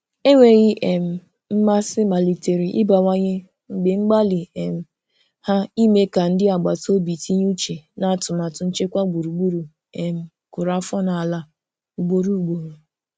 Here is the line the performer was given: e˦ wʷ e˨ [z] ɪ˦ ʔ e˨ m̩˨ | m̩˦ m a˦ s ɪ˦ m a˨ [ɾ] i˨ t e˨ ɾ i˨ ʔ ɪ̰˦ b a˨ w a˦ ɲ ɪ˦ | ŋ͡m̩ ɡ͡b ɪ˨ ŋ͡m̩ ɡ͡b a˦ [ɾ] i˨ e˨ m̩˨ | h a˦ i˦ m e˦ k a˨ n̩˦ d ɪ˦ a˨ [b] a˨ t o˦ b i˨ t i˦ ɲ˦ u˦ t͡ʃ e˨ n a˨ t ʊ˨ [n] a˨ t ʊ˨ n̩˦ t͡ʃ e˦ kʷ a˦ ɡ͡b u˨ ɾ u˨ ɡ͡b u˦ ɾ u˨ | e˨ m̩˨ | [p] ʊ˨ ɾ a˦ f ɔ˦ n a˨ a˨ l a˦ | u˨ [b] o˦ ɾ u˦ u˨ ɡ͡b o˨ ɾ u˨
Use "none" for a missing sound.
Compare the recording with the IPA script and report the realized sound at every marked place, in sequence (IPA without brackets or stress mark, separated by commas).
ɣ, l, l, ɡ͡b, m, k, ɡ͡b